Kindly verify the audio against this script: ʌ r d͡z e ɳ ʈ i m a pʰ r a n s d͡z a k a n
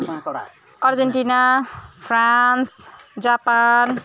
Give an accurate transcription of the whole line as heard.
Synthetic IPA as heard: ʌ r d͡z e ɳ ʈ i n a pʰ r a n s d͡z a p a n